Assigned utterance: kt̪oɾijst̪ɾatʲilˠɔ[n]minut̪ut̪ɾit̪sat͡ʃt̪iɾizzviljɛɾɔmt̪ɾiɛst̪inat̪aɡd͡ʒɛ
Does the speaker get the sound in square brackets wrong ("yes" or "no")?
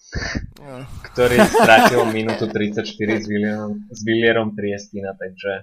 yes